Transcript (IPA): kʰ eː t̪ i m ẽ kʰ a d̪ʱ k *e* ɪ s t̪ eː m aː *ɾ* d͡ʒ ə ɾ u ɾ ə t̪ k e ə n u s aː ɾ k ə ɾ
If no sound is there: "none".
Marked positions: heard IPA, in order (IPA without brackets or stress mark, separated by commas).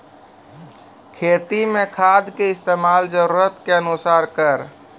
e, l